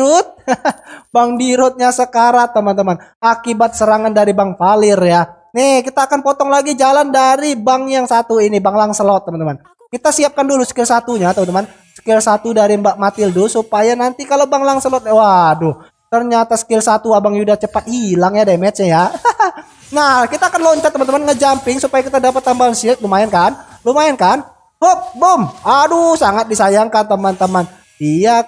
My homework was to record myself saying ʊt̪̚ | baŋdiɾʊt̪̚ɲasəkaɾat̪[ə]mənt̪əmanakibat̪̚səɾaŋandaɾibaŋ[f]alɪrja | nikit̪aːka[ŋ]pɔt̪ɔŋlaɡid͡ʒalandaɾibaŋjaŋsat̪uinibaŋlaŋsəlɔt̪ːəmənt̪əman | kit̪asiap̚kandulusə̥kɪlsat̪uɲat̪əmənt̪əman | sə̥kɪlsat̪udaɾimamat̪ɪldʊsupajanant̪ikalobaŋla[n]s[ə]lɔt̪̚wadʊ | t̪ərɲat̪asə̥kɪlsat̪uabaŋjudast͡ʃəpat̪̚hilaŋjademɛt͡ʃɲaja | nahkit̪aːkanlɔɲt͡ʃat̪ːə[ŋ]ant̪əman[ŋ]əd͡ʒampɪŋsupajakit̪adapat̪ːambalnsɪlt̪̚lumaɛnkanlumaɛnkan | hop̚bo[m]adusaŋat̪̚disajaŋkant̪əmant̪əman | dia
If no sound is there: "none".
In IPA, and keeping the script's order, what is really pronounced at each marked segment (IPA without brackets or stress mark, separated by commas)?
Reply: ə, f, n, ŋ, ə, m, ŋ, m